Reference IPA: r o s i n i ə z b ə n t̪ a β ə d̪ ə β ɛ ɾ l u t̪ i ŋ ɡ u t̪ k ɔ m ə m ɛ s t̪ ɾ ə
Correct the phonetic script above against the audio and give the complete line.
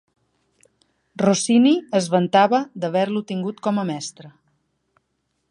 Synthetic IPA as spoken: r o s i n i ə z β ə n t̪ a β ə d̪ ə β ɛ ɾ l u t̪ i ŋ ɡ u t̪ k ɔ m ə m ɛ s t̪ ɾ ə